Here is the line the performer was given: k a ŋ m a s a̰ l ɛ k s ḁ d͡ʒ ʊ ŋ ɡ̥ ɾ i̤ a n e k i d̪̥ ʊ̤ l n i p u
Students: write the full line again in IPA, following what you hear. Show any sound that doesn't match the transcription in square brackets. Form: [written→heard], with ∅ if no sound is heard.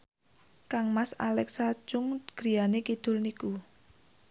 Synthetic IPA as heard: k a ŋ m a s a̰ l ɛ k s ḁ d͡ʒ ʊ ŋ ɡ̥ ɾ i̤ a n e k i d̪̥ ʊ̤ l n i [p→k] u